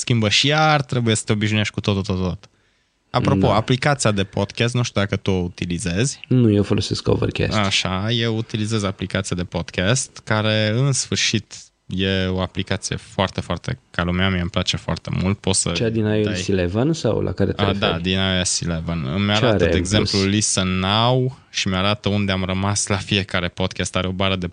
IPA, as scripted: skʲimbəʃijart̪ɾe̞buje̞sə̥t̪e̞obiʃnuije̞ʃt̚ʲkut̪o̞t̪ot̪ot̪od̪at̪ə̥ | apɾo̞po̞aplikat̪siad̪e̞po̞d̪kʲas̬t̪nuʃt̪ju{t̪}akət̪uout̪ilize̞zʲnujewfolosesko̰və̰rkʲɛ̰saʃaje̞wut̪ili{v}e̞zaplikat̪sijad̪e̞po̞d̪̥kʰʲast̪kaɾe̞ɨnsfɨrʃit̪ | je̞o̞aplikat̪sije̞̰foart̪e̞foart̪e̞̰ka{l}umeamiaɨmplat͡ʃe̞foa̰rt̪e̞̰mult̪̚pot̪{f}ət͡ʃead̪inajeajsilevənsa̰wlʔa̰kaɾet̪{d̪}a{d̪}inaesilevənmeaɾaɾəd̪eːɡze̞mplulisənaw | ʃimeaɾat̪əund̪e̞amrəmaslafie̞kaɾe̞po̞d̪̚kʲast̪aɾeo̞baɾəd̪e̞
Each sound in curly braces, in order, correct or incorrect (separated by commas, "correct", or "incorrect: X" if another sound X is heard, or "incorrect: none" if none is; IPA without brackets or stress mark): incorrect: d̪, incorrect: z, correct, incorrect: s, correct, correct